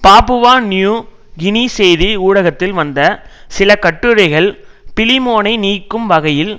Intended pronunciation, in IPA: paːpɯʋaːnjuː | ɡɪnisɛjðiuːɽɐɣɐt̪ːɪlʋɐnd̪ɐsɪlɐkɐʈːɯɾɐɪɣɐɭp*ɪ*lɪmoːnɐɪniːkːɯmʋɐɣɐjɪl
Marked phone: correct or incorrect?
correct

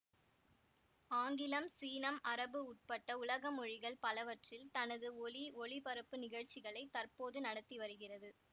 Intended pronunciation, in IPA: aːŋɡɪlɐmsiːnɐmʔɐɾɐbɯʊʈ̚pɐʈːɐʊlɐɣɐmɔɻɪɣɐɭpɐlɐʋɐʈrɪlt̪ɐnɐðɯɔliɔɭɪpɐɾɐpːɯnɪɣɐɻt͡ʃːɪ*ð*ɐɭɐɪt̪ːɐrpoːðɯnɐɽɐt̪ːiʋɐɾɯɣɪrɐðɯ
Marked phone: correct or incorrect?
incorrect: ɣ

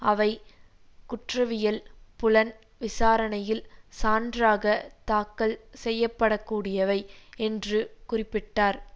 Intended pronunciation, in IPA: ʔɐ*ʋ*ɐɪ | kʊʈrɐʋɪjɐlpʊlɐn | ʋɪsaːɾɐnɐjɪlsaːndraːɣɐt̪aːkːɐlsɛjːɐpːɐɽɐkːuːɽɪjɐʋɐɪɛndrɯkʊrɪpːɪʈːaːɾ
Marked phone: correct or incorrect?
correct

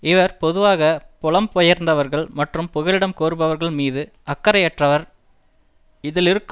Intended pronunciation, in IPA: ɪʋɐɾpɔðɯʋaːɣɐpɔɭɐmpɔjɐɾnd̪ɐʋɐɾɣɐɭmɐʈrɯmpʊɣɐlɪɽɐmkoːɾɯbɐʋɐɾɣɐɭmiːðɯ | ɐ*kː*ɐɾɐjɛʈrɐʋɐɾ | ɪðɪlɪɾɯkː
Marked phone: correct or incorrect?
correct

